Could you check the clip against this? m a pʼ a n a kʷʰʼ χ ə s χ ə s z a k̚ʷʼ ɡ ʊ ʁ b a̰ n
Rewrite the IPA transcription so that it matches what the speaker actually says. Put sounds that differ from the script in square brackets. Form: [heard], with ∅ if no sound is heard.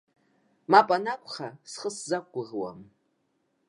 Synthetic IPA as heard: m a pʼ a n a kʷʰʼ χ [a] s χ ə s z a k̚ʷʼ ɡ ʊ ʁ [w] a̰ [m]